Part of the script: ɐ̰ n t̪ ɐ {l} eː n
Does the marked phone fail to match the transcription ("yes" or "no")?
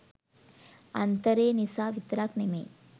yes